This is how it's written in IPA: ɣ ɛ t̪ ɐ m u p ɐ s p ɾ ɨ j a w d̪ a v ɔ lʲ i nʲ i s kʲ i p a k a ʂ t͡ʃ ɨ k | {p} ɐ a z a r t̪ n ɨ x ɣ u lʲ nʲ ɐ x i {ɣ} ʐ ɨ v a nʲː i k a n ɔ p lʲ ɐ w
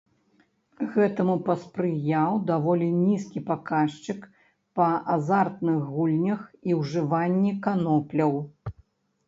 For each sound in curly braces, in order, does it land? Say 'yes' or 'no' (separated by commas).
yes, no